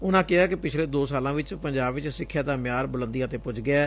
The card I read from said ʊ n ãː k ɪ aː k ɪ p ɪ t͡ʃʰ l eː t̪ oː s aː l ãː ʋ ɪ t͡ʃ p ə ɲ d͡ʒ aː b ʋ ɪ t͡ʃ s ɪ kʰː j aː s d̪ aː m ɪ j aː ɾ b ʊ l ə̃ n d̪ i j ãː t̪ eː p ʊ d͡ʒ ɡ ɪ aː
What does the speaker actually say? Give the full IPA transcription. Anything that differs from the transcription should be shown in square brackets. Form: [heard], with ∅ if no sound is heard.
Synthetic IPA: ʊ n ãː k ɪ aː k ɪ p ɪ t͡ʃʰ l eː [d̪] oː s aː l ãː ʋ ɪ t͡ʃ p ə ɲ d͡ʒ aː b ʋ ɪ t͡ʃ s ɪ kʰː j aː [∅] d̪ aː m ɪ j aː ɾ b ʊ l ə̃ n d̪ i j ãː t̪ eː p ʊ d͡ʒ ɡ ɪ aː

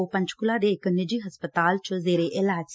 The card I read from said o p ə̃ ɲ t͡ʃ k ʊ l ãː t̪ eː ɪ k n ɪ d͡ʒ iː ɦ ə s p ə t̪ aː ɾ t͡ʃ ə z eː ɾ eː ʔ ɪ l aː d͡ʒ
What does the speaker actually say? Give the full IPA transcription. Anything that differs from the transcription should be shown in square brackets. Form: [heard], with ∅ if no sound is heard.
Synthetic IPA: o p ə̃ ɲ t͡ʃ k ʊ l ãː [d̪] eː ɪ k n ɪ d͡ʒ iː ɦ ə s p ə t̪ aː [l] t͡ʃ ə z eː ɾ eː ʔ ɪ l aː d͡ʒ

